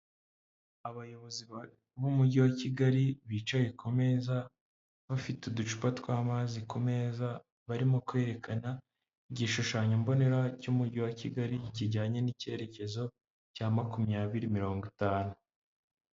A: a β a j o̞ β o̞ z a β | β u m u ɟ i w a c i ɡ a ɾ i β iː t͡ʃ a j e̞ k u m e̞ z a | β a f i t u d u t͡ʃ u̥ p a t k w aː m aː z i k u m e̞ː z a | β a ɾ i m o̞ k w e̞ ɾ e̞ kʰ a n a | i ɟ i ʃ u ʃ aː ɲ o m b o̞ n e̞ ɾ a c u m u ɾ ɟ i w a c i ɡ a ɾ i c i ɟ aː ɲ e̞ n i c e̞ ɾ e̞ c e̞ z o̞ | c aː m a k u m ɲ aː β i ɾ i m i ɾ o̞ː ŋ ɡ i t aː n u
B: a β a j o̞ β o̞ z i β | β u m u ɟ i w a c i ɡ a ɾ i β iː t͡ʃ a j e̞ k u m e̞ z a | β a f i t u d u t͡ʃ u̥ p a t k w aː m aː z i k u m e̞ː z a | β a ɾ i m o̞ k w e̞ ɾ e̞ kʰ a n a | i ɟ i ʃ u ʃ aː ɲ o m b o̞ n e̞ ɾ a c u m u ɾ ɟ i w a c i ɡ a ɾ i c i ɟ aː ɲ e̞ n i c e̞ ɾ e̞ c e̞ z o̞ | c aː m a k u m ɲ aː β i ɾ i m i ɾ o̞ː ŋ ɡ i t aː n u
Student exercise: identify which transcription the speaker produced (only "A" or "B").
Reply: B